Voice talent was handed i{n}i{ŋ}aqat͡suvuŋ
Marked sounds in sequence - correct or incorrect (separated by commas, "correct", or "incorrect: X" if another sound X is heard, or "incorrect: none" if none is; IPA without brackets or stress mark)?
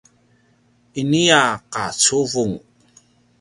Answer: correct, incorrect: none